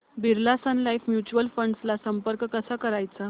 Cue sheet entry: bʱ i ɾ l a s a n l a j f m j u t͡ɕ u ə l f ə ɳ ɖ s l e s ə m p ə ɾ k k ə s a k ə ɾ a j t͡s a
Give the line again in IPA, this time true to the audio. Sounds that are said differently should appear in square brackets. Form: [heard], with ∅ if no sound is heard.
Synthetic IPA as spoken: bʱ i ɾ l a s a n l a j f m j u t͡ɕ u ə l f ə ɳ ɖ s l [a] s ə m p ə ɾ k k ə s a k ə ɾ a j t͡s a